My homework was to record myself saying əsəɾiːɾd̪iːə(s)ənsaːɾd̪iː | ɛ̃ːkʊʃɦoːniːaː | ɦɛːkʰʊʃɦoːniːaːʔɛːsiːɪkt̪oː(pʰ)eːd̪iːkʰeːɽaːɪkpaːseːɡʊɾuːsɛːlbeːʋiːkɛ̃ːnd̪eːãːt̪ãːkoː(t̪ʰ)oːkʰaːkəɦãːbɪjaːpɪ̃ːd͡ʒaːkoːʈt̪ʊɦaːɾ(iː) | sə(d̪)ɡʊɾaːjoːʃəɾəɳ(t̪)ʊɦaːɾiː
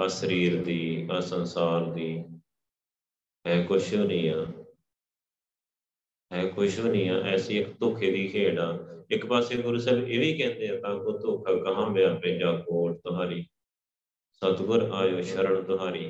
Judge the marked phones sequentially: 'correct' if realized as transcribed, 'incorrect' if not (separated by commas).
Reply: correct, incorrect, incorrect, correct, incorrect, correct